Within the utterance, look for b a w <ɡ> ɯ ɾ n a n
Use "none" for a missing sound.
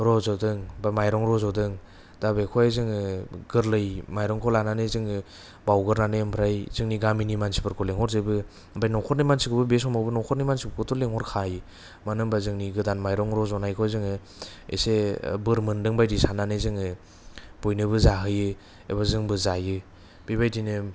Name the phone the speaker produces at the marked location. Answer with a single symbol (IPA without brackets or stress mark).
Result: ɡ